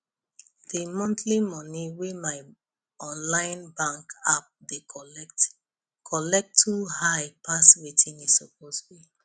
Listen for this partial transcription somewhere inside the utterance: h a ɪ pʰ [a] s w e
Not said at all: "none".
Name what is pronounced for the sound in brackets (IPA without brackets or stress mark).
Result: a